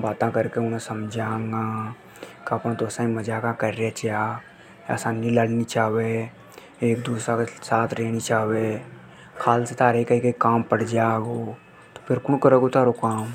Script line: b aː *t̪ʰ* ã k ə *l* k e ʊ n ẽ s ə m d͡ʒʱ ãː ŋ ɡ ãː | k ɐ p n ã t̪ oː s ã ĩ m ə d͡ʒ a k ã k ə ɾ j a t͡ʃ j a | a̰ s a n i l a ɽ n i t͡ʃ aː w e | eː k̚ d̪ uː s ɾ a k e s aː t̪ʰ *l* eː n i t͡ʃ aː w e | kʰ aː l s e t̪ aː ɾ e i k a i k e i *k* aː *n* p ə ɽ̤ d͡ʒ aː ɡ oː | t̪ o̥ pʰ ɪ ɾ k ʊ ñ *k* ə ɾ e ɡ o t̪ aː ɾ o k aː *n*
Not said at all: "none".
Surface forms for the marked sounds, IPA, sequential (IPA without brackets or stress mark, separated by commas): t̪, ɾ, ɾ, k, m, k, m